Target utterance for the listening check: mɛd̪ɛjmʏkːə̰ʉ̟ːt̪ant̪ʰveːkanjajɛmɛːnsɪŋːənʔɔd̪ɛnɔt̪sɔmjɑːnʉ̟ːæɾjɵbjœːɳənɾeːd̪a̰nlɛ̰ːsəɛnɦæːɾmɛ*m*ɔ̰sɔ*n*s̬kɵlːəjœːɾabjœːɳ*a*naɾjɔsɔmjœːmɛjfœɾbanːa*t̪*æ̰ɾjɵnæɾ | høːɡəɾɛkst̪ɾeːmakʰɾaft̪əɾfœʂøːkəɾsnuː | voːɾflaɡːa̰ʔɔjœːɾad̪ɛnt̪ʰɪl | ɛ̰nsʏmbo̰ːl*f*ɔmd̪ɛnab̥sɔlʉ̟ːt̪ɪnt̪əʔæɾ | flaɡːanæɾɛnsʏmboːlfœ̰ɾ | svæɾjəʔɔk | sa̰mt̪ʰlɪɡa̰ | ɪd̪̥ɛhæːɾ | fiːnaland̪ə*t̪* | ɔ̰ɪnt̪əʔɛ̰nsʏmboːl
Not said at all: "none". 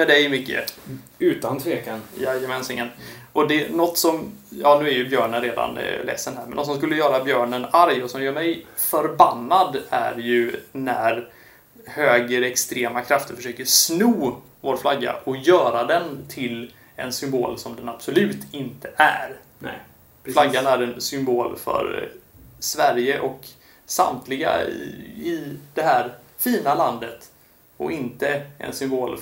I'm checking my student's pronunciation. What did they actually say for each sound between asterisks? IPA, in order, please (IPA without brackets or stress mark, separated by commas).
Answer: n, m, ə, d̪, s, t̪